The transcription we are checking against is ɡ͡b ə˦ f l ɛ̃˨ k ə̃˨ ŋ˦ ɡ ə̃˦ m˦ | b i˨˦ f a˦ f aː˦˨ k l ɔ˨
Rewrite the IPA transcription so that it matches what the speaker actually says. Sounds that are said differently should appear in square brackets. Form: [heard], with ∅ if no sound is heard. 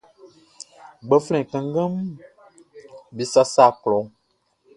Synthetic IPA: ɡ͡b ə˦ f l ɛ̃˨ k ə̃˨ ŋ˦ ɡ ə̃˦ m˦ | b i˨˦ [s] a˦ [s] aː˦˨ k l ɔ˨